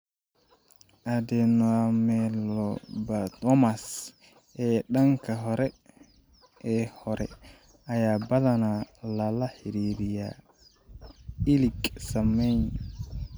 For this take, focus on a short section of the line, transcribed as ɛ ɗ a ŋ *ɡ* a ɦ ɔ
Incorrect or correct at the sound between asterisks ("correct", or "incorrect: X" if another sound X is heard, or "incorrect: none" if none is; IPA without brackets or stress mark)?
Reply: incorrect: k